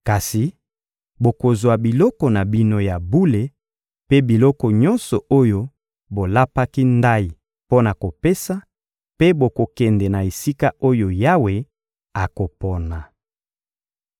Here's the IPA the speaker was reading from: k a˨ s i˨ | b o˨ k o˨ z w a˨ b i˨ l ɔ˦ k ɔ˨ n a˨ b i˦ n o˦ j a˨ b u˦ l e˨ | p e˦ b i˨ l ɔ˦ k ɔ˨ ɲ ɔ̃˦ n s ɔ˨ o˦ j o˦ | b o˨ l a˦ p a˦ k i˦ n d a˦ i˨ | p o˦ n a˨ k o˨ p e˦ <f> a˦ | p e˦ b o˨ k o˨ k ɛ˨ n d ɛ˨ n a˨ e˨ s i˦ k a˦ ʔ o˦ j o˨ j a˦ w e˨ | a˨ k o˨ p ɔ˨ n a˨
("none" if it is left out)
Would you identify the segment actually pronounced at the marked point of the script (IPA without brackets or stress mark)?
s